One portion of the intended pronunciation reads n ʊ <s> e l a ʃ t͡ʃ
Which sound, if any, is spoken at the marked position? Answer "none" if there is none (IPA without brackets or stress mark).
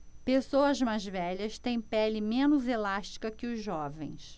z